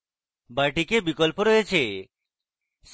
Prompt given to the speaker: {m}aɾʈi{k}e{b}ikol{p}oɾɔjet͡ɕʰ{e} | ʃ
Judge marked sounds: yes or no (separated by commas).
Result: no, yes, yes, yes, yes